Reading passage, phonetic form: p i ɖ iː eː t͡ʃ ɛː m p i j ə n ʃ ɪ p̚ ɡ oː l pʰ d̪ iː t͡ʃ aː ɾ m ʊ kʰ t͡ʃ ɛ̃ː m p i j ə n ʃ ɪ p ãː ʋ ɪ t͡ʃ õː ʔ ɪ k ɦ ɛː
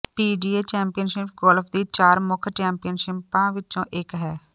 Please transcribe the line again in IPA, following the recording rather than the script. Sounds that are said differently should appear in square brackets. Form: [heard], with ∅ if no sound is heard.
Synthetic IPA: p [iː] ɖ iː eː t͡ʃ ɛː m p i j ə n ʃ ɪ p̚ ɡ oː l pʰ d̪ iː t͡ʃ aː ɾ m ʊ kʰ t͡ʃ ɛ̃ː m p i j ə n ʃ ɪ p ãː ʋ ɪ t͡ʃ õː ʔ ɪ k ɦ ɛː